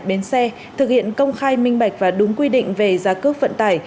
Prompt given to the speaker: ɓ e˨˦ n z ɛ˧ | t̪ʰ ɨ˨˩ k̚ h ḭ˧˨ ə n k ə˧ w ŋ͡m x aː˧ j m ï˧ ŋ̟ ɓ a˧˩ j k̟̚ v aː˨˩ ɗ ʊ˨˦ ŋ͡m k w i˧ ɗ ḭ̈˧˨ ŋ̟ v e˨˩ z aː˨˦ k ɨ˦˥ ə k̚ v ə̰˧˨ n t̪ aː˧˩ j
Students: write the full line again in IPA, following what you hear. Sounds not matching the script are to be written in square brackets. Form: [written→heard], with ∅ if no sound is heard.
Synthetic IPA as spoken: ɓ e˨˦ n [z→s] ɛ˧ | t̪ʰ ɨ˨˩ k̚ h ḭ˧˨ ə n k ə˧ w ŋ͡m x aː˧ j m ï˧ ŋ̟ ɓ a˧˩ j k̟̚ v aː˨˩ ɗ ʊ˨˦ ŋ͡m k w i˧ ɗ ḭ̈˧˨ ŋ̟ v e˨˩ z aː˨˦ k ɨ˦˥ ə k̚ v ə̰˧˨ n t̪ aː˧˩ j